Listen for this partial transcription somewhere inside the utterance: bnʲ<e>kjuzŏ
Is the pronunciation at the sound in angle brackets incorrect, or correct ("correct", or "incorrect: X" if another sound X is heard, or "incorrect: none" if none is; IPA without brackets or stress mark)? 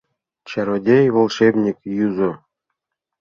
incorrect: i